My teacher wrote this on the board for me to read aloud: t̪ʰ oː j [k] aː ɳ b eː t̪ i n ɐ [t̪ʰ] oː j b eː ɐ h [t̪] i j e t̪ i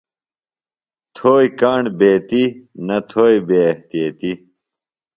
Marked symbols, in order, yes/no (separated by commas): yes, yes, yes